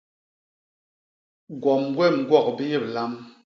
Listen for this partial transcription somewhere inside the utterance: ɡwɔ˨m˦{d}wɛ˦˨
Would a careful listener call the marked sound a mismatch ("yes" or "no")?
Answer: yes